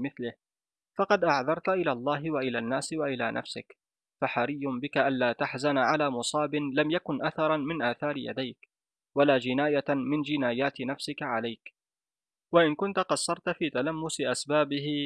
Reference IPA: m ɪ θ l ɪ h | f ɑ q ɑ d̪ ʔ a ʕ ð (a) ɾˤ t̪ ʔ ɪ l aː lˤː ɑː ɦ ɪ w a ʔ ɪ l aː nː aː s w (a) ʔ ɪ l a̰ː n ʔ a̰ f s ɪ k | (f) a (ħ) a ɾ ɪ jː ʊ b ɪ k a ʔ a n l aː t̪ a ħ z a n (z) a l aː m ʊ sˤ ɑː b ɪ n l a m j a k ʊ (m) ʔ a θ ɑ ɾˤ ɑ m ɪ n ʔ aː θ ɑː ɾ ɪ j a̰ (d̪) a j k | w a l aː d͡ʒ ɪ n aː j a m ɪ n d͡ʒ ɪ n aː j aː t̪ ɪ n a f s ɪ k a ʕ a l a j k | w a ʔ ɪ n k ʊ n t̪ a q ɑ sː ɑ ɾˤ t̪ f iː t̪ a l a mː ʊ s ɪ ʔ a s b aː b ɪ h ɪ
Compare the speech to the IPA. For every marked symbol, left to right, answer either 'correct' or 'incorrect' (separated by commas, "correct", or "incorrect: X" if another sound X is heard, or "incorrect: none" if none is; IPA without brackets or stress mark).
incorrect: ɑ, correct, correct, correct, incorrect: ʕ, incorrect: n, correct